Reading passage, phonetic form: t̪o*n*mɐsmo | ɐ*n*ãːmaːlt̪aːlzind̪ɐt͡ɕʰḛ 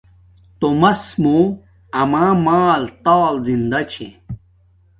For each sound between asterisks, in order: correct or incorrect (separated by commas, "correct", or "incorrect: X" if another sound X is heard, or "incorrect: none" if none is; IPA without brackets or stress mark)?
incorrect: none, incorrect: m